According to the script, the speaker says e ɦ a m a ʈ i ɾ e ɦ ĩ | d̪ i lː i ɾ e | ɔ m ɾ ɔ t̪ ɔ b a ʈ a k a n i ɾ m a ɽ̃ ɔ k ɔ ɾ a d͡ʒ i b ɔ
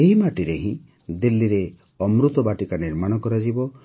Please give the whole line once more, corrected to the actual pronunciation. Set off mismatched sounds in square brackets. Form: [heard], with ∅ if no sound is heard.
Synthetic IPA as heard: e ɦ [i] m a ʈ i ɾ e ɦ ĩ | d̪ i lː i ɾ e | ɔ m ɾ [u] t̪ ɔ b a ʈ [i] k a n i ɾ m a ɽ̃ ɔ k ɔ ɾ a d͡ʒ i b ɔ

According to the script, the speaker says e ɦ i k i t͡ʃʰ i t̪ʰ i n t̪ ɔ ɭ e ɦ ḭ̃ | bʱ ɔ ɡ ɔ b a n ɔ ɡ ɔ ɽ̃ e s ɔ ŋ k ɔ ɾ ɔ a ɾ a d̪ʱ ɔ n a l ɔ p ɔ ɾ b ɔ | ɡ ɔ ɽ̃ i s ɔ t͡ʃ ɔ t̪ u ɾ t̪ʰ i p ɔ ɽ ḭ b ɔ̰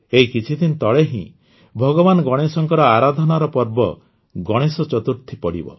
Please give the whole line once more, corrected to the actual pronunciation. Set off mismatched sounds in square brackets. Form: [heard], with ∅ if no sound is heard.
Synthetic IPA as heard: e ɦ i k i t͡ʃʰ i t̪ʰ i n t̪ ɔ ɭ e ɦ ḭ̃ | bʱ ɔ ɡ ɔ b a n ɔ ɡ ɔ ɽ̃ e s ɔ ŋ k ɔ ɾ ɔ a ɾ a d̪ʱ ɔ n a [ɾ] ɔ p ɔ ɾ b ɔ | ɡ ɔ ɽ̃ [e] s ɔ t͡ʃ ɔ t̪ u ɾ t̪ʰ i p ɔ ɽ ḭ b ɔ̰

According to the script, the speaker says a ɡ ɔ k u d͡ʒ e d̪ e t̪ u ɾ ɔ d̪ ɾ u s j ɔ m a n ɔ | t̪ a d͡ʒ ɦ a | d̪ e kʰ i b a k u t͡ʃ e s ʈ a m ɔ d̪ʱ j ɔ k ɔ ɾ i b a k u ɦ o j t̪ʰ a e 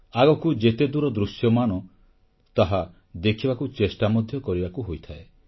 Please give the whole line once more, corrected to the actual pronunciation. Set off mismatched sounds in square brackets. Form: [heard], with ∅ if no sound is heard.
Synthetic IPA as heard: a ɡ ɔ k u d͡ʒ e [t̪] e [d̪] u ɾ ɔ d̪ ɾ u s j ɔ m a n ɔ | t̪ a [∅] ɦ a | d̪ e kʰ i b a k u t͡ʃ e s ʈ a m ɔ d̪ʱ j ɔ k ɔ ɾ i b a k u ɦ o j t̪ʰ a e

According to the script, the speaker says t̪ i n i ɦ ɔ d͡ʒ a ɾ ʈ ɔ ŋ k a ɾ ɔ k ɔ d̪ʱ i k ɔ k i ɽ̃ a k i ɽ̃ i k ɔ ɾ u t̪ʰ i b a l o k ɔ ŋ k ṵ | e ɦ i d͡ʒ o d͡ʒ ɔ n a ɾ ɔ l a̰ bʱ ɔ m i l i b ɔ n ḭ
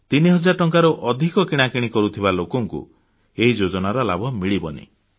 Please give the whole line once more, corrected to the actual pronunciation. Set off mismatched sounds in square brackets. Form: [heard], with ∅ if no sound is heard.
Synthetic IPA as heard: t̪ i n i ɦ ɔ d͡ʒ a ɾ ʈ ɔ ŋ k a ɾ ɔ [ʔ] ɔ d̪ʱ i k ɔ k i ɽ̃ a k i ɽ̃ i k ɔ ɾ u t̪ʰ i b a l o k ɔ ŋ k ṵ | e ɦ i d͡ʒ o d͡ʒ ɔ n a ɾ ɔ l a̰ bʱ ɔ m i [ɭ] i b ɔ n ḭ

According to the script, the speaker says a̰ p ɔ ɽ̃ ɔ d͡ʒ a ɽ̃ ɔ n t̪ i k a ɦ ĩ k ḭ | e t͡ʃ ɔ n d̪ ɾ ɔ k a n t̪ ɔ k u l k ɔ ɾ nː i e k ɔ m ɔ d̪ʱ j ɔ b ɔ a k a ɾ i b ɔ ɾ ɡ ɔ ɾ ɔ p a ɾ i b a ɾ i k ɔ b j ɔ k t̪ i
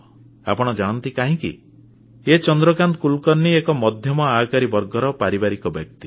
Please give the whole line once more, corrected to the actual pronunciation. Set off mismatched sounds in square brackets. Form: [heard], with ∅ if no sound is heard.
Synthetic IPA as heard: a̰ p ɔ ɽ̃ ɔ d͡ʒ a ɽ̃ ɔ n t̪ i k a ɦ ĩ k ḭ | e t͡ʃ ɔ n d̪ ɾ ɔ k a n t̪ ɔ k u l k ɔ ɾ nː i e k ɔ m ɔ d̪ʱ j ɔ [m] ɔ a k a ɾ i b ɔ ɾ ɡ ɔ ɾ ɔ p a ɾ i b a ɾ i k ɔ b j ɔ k t̪ i

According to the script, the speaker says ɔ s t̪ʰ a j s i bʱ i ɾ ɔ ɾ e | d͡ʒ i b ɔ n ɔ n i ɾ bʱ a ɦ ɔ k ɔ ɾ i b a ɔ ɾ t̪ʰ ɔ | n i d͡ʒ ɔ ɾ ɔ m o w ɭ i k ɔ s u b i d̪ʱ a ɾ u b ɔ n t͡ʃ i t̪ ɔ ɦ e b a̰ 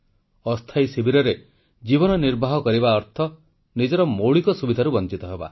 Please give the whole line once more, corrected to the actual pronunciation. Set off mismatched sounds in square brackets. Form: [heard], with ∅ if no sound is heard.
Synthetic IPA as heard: ɔ s t̪ʰ a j s i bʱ i ɾ ɔ ɾ e | d͡ʒ i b ɔ n ɔ n i ɾ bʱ a ɦ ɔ k ɔ ɾ i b a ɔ ɾ t̪ʰ ɔ | n i d͡ʒ ɔ ɾ ɔ m o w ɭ i k ɔ s u b i d̪ʱ a ɾ u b ɔ n t͡ʃ i t̪ ɔ ɦ e b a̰

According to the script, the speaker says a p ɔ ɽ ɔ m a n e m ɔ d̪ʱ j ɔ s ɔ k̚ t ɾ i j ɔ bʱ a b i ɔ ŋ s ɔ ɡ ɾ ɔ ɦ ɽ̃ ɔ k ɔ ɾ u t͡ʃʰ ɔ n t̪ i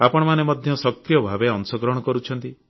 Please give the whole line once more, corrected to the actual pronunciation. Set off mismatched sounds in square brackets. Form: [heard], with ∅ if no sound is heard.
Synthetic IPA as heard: a p ɔ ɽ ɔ m a n e m ɔ d̪ʱ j ɔ s ɔ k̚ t ɾ i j ɔ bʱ a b [e] ɔ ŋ s ɔ ɡ ɾ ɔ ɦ ɽ̃ ɔ k ɔ ɾ u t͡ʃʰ ɔ n t̪ i

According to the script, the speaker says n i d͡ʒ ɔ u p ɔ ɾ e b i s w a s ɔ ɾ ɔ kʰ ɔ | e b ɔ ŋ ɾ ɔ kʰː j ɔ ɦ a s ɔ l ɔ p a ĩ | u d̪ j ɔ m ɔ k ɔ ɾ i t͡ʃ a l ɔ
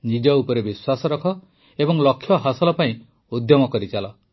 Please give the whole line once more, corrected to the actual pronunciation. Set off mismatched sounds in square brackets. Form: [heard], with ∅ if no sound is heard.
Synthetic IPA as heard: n i d͡ʒ ɔ u p ɔ ɾ e b i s w a s ɔ ɾ ɔ kʰ ɔ | e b ɔ ŋ [l] ɔ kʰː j ɔ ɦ a s ɔ l ɔ p a ĩ | u d̪ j ɔ m ɔ k ɔ ɾ i t͡ʃ a l ɔ

